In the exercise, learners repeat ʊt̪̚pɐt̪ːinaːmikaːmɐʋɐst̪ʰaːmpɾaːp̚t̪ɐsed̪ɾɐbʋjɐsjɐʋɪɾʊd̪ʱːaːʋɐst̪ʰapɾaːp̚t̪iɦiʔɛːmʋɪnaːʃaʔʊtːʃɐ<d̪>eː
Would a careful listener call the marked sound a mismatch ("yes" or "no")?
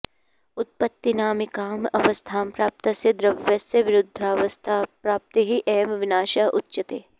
yes